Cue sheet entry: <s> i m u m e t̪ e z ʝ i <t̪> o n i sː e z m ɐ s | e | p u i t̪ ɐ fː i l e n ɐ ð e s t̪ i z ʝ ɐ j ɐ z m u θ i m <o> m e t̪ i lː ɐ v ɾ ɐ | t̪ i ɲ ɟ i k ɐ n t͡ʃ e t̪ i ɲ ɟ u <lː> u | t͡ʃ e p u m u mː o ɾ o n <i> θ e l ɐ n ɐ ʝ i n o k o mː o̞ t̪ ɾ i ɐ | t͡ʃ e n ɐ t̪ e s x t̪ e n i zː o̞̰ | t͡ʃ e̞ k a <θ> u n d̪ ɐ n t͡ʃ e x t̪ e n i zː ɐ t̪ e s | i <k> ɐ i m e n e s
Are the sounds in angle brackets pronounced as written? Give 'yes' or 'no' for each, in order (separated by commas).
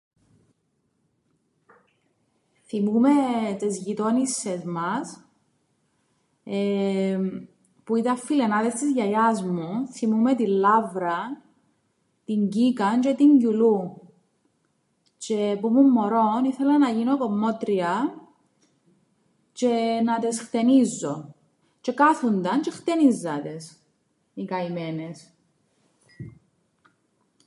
no, yes, no, no, yes, yes, yes